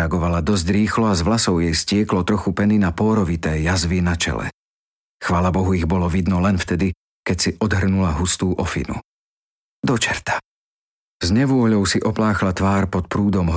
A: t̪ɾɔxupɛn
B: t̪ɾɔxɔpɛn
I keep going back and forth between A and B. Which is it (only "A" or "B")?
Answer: A